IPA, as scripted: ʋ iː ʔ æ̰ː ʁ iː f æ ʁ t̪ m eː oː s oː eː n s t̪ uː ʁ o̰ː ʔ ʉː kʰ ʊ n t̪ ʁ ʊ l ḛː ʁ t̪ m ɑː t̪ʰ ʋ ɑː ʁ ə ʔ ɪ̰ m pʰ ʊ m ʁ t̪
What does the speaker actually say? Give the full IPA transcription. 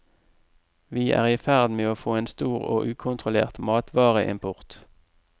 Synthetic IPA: ʋ iː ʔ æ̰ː ʁ iː f æ ʁ d̪ m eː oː f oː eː n s t̪ uː ʁ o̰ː ʔ ʉː kʰ ʊ n t̪ ʁ ʊ l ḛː ʁ t̪ m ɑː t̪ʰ ʋ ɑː ʁ ə ʔ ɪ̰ m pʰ ʊ ʁ t̪